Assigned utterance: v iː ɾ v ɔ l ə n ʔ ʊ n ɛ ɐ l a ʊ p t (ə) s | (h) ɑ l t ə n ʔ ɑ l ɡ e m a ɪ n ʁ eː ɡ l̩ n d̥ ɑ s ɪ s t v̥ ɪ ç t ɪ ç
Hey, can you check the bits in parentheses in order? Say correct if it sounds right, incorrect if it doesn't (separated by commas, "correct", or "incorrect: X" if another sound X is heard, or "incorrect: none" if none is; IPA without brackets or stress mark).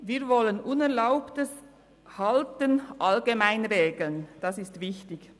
correct, correct